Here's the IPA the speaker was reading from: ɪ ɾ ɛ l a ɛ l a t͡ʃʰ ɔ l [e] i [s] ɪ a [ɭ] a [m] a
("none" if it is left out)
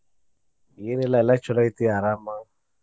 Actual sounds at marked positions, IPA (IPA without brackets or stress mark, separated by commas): a, t, ɾ, m